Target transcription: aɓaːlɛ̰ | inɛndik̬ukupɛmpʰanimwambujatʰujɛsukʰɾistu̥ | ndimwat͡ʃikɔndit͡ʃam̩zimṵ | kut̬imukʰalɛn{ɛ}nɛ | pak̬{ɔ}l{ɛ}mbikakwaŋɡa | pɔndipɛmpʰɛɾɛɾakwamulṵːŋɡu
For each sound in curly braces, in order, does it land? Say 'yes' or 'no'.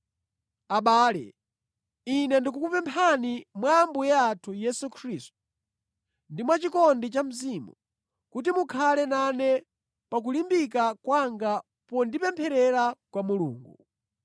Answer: no, no, no

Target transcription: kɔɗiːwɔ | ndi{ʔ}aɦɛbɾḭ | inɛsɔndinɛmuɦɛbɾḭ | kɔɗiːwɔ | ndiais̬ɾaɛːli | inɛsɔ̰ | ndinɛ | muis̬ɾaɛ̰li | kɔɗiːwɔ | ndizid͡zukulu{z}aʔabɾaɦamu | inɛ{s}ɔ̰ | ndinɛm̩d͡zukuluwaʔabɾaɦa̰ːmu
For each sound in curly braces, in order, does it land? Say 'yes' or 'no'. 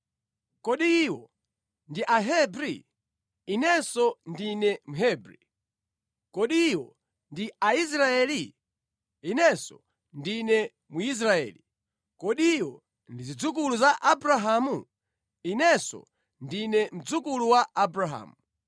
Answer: yes, yes, yes

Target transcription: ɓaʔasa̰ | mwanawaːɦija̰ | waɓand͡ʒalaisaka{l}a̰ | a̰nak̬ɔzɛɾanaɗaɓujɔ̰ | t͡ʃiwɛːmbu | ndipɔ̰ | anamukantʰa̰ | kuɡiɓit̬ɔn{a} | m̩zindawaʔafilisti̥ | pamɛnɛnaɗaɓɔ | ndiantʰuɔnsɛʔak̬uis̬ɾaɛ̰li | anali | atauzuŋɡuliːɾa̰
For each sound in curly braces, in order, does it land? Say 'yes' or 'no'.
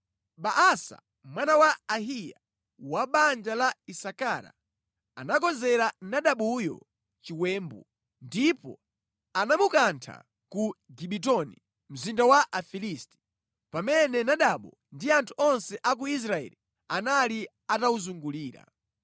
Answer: no, no

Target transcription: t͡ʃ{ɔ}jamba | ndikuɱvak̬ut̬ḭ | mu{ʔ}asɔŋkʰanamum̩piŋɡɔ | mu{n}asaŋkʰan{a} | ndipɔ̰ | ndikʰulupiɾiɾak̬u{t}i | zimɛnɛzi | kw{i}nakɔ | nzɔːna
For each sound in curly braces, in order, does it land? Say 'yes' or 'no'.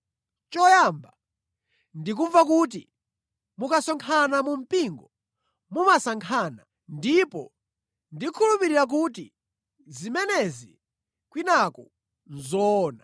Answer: yes, no, no, yes, yes, yes

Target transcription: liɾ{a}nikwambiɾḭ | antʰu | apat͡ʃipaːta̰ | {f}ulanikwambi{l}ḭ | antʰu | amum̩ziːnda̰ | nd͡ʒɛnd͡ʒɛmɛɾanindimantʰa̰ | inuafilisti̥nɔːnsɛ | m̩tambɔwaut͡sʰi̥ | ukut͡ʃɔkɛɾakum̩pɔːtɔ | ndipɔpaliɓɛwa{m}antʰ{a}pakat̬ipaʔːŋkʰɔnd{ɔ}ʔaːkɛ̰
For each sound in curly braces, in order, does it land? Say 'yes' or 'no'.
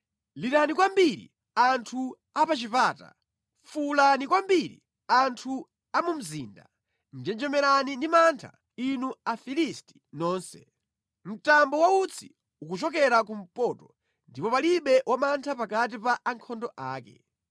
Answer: yes, yes, no, yes, yes, yes

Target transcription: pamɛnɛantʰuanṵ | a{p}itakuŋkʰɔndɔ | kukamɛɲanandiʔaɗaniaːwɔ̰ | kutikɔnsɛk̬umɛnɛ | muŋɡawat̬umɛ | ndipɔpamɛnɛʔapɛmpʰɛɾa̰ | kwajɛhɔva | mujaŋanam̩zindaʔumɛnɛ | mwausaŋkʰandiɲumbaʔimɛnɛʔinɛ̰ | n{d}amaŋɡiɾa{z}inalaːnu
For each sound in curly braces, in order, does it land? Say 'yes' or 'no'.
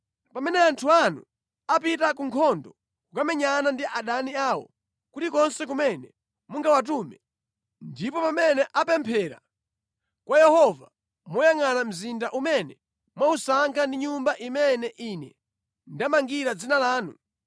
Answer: yes, yes, no

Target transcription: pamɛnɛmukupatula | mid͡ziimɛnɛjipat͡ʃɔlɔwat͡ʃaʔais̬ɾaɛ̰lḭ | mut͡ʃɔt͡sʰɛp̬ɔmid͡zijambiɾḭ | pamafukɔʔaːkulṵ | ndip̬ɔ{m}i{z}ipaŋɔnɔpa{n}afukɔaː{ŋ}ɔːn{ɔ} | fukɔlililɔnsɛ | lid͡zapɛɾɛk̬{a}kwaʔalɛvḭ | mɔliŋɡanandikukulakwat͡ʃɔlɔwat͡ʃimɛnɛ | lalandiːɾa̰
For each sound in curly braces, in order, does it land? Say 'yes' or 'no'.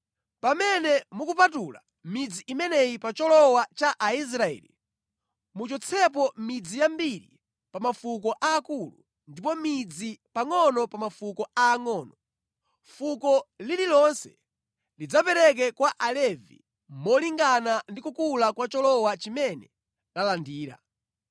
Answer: yes, no, no, yes, yes, no

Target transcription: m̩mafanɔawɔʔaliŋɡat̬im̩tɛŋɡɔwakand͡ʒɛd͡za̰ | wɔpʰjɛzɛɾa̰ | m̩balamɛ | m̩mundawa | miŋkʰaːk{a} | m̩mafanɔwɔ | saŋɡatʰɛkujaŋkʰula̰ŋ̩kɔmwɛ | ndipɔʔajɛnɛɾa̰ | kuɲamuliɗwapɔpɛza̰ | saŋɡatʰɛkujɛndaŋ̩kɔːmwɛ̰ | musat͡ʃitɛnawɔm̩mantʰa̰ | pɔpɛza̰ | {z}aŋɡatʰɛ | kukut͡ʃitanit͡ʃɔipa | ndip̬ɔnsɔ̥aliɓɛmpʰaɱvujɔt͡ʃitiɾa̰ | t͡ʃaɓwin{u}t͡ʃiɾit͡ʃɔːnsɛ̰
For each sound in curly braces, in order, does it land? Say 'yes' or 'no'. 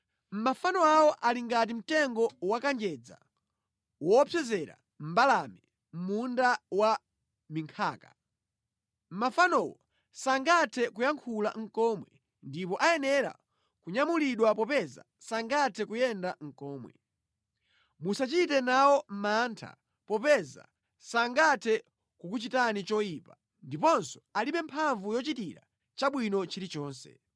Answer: yes, no, no

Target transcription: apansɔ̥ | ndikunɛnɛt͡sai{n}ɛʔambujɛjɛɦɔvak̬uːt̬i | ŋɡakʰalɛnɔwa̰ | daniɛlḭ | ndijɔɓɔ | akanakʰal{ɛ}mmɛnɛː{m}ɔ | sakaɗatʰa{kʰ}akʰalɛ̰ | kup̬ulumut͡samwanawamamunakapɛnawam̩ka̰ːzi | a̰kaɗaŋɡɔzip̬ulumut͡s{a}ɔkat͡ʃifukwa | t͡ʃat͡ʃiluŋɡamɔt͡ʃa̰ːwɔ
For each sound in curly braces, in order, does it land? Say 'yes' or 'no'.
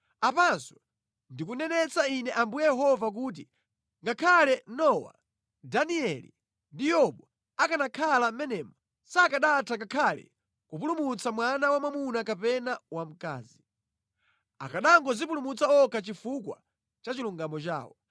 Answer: yes, no, yes, no, yes

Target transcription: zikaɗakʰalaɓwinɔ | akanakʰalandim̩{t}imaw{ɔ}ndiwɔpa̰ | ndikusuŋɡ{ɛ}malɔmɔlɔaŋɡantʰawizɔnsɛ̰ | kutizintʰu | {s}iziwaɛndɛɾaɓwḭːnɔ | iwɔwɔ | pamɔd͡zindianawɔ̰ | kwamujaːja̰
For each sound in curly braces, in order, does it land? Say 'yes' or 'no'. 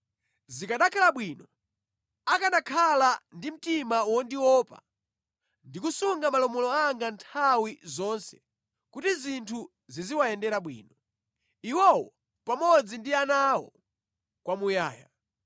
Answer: yes, yes, no, no

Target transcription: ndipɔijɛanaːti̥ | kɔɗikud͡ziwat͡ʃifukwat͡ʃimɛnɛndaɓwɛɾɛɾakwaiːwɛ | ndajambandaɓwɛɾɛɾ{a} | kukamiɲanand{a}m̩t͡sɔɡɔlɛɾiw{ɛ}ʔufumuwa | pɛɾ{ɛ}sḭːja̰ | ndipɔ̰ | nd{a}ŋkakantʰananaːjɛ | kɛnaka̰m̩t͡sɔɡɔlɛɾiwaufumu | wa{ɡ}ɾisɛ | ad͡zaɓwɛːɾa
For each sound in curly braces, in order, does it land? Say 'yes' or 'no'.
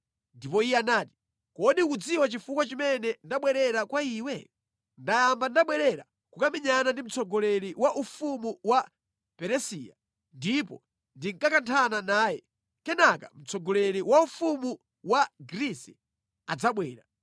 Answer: yes, no, no, yes, no, yes

